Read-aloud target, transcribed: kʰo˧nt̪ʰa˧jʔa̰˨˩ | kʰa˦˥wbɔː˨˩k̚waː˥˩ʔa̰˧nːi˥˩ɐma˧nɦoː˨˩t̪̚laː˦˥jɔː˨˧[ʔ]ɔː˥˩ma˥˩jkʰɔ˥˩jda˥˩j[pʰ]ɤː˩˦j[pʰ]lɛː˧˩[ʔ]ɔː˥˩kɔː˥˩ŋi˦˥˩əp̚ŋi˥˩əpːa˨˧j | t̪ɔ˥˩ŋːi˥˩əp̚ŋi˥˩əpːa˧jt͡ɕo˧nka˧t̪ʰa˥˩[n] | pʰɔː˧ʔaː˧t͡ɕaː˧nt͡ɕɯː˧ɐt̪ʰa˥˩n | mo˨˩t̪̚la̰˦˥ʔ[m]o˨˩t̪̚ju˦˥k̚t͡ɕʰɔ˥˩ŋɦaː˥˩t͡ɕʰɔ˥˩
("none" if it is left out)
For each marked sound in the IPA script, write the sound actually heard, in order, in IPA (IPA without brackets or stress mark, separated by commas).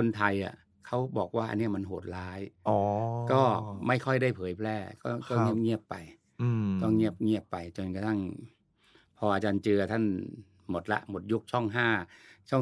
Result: k, pʰ, pʰ, k, ŋ, m